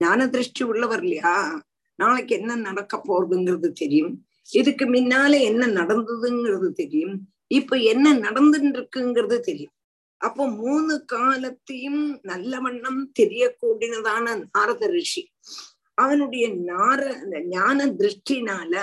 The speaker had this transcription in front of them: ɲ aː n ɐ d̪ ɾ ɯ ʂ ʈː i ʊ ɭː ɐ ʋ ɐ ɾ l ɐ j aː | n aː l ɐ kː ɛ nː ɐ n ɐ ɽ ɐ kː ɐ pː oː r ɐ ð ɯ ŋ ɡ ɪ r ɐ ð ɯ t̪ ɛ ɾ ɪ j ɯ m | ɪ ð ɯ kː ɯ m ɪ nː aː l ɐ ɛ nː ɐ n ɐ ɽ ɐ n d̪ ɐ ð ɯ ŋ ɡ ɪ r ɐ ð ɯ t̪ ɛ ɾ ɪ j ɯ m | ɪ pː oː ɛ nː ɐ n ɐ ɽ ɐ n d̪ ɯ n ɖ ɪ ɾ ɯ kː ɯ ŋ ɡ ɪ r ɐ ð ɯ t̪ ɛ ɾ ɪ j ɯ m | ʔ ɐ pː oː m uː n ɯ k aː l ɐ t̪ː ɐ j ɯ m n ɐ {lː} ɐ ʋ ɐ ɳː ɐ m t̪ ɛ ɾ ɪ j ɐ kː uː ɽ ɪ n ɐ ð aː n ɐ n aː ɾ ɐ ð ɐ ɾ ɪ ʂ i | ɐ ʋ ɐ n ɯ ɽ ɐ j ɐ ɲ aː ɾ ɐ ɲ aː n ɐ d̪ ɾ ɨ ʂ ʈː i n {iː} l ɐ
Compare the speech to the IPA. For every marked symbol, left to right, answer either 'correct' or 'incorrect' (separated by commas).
correct, incorrect